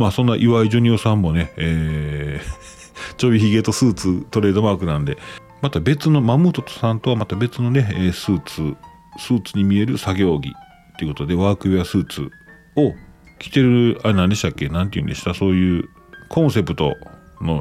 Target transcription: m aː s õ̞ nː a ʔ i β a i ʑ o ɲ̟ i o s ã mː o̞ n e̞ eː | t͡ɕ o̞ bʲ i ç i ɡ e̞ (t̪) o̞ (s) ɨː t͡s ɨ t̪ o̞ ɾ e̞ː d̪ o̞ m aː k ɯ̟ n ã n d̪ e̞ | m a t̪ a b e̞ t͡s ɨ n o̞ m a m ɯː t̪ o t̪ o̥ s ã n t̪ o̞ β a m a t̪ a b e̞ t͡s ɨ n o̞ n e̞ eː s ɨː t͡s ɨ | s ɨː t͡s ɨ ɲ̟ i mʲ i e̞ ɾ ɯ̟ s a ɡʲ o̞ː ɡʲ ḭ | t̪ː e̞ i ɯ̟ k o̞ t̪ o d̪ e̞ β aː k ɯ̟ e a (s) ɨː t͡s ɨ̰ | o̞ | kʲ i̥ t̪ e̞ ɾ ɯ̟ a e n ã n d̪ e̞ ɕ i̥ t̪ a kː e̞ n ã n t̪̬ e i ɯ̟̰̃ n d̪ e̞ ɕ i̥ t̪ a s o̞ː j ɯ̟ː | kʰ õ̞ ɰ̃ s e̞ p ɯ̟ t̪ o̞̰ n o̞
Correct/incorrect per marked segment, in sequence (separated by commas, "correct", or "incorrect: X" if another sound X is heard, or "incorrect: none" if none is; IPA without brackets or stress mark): correct, correct, correct